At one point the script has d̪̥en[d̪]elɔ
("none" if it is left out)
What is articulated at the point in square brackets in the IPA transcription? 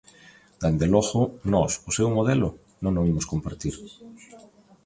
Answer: d̪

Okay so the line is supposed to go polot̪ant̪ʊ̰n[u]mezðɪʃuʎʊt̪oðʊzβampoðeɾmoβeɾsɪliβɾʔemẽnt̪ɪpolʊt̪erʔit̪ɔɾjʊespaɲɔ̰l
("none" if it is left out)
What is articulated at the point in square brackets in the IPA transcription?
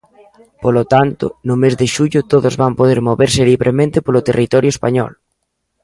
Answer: ʊ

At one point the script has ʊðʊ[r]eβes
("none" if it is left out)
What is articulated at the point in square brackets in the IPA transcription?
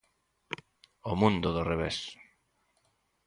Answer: r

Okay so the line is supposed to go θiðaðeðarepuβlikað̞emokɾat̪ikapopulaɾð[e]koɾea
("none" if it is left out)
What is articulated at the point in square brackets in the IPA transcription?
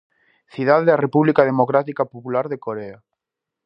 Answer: e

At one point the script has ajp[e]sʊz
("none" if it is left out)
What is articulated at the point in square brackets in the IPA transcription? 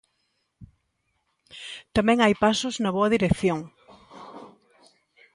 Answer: a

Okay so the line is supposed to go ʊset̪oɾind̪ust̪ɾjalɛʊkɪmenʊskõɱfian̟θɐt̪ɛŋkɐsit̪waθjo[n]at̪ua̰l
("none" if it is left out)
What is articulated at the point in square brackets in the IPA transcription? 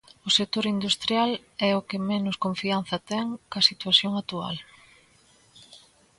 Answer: ŋ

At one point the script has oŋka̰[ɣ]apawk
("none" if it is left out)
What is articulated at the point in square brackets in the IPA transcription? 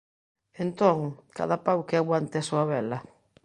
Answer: ð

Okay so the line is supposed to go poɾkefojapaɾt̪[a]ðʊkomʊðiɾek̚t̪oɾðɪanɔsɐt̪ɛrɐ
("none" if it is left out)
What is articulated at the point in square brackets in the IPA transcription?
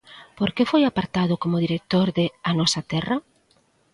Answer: a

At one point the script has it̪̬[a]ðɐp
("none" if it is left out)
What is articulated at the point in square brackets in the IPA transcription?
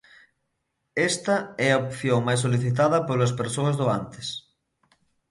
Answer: a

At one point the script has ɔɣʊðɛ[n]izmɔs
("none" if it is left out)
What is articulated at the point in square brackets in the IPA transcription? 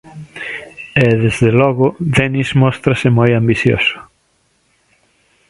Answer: n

